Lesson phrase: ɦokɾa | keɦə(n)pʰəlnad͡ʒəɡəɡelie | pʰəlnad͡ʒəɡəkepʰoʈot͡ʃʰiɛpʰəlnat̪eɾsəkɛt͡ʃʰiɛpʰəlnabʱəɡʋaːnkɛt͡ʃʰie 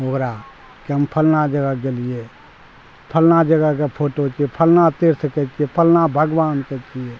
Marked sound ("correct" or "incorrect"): incorrect